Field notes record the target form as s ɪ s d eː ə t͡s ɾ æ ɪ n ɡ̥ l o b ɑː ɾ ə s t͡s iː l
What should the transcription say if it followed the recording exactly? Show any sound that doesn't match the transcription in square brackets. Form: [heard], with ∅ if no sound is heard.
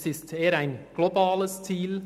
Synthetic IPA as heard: s ɪ s [t] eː ə [∅] ɾ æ ɪ n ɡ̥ l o b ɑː [l] ə s t͡s iː l